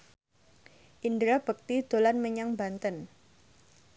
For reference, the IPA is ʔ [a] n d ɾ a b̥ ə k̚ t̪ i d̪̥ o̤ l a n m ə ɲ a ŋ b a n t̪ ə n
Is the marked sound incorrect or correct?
incorrect